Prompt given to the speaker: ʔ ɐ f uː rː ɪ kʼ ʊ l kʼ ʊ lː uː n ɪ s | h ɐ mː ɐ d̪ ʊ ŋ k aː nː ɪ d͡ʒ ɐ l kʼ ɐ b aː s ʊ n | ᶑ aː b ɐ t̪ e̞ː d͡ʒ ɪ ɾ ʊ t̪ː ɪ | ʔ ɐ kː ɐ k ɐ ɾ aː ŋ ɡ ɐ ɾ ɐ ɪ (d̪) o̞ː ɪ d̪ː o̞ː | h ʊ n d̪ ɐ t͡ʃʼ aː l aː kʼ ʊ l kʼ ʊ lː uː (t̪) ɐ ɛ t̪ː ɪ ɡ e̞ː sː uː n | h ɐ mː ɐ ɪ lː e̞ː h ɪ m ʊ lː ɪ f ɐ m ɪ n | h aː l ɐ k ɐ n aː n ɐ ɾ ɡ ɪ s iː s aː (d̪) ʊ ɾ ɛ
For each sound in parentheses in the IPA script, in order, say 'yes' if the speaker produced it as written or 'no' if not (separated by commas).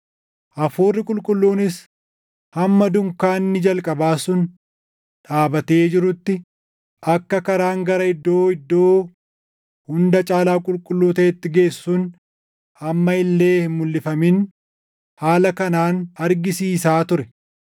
no, yes, no